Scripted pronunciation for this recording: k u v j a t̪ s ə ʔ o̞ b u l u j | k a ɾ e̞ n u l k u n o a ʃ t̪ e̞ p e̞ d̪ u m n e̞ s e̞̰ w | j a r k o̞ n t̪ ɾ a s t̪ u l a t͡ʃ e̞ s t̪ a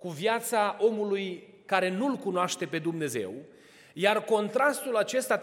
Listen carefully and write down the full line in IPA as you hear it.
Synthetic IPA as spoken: k u v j a t̪ s a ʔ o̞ m u l u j | k a ɾ e̞ n u l k u n o a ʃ t̪ e̞ p e̞ d̪ u m n e̞ z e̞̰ w | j a r k o̞ n t̪ ɾ a s t̪ u l a t͡ʃ e̞ s t̪ a